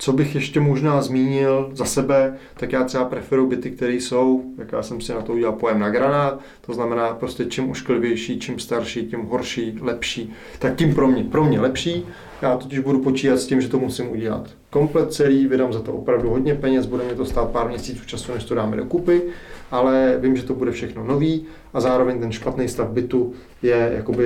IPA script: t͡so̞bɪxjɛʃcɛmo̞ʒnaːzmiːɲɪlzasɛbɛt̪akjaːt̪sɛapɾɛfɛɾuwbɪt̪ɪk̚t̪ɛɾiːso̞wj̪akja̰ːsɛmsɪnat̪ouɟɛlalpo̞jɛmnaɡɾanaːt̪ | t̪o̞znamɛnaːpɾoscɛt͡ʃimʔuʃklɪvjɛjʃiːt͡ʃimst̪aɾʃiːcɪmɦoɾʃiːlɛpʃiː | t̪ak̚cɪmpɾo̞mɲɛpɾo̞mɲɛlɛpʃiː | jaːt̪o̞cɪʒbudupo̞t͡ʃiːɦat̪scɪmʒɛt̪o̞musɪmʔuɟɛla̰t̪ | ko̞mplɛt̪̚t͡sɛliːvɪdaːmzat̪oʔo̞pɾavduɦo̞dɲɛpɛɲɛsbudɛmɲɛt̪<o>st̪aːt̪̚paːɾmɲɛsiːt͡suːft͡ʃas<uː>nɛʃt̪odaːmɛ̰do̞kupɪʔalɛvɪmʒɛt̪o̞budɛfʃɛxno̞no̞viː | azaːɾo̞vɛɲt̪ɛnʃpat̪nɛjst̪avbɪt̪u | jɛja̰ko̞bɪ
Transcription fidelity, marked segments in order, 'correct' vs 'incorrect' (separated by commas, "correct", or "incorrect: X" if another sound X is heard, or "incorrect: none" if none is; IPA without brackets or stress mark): correct, incorrect: u